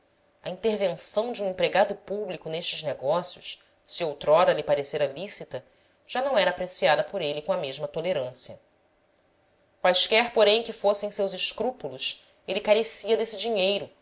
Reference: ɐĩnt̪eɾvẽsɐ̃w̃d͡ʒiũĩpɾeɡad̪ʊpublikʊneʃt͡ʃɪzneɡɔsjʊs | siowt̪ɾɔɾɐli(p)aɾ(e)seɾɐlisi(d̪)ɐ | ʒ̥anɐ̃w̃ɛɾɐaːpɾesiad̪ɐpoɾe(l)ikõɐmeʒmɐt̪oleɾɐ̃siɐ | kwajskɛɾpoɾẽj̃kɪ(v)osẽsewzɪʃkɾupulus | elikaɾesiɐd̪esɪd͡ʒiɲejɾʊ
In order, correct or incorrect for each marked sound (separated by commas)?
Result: correct, correct, incorrect, correct, incorrect